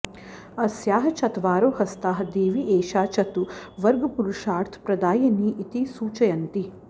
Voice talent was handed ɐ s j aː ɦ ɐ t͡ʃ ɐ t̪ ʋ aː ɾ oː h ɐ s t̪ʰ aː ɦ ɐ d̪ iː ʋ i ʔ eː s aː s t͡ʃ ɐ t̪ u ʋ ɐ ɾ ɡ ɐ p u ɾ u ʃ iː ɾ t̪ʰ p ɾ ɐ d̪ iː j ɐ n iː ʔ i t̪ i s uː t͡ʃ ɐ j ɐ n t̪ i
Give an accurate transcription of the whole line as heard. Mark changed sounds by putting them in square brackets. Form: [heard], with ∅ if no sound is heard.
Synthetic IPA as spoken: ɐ s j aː ɦ ɐ t͡ʃ ɐ t̪ ʋ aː ɾ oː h ɐ s [t̪] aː ɦ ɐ d̪ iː ʋ i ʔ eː [ʃ] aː [∅] t͡ʃ ɐ t̪ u ʋ ɐ ɾ ɡ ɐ p u ɾ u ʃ [aː] ɾ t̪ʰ p ɾ ɐ d̪ [aː] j ɐ n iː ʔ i t̪ i s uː t͡ʃ ɐ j ɐ n t̪ i